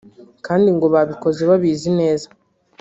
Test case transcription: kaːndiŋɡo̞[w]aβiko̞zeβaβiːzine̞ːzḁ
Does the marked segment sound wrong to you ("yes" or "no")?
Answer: yes